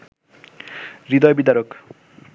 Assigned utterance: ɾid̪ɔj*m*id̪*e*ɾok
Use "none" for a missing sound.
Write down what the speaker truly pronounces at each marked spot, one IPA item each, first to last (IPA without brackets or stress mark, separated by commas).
b, a